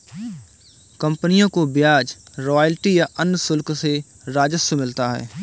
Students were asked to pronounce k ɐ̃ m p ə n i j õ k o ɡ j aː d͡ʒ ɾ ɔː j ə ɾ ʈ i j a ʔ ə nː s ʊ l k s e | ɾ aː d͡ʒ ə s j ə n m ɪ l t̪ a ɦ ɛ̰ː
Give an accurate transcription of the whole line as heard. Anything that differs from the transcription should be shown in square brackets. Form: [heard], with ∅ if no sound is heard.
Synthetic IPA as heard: k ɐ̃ m p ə n i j õ k o [b] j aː d͡ʒ ɾ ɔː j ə [l] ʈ i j a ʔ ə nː s ʊ l k s e | ɾ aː d͡ʒ ə s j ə [∅] m ɪ l t̪ a ɦ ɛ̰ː